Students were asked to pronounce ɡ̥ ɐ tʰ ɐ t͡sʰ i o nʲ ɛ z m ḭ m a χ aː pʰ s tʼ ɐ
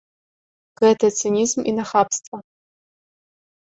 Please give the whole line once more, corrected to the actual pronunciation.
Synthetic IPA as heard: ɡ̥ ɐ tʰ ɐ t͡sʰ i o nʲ i z m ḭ n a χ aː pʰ s tʼ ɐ